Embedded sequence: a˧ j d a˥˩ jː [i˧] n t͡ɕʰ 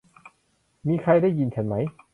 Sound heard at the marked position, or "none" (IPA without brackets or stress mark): i˧